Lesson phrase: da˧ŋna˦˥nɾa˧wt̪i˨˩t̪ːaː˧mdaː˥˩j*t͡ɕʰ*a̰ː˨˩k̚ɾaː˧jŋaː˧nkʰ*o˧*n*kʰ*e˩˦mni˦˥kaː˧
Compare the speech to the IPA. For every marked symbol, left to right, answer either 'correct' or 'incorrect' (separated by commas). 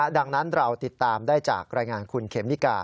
incorrect, incorrect, correct